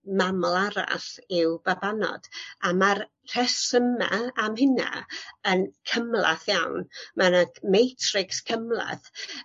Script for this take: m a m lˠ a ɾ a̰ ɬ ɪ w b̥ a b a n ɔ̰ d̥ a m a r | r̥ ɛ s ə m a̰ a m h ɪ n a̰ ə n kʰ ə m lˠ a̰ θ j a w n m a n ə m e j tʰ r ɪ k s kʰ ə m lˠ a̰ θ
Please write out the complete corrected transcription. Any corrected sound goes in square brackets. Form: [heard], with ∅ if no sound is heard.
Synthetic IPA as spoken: m a m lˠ a ɾ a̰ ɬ ɪ w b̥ a b a n ɔ̰ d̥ a m a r | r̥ ɛ s ə m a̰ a m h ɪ n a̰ ə n kʰ ə m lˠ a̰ θ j a w n m a n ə m e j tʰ r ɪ k s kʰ ə m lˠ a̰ θ